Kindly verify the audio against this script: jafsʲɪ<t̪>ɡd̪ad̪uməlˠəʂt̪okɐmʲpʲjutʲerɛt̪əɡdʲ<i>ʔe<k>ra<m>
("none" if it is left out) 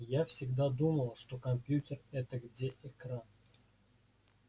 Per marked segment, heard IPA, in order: none, e, k, n

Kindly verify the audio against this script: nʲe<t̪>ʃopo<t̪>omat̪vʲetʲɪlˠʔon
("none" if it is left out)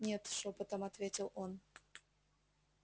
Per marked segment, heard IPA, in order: t̪, t̪

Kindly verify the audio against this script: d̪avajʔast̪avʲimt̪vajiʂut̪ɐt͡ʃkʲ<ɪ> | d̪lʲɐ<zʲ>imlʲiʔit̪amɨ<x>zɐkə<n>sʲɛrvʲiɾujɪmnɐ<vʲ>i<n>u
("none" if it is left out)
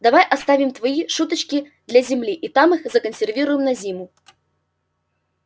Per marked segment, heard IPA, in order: i, zʲ, x, n, zʲ, m

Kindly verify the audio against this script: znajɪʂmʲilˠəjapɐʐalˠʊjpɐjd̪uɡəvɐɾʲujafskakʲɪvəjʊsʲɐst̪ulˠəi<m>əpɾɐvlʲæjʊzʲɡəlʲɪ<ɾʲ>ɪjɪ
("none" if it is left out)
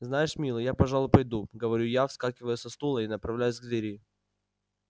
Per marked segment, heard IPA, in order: n, ɾʲ

